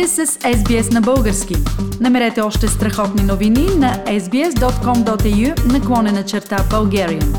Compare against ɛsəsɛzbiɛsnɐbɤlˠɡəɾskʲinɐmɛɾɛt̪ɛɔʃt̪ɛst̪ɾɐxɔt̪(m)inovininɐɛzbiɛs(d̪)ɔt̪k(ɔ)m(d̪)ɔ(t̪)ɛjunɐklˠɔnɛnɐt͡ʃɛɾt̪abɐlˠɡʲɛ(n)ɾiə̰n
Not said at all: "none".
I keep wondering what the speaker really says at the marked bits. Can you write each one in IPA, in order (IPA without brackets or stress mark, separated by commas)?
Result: n, d̪, ɔ, d̪, t̪, none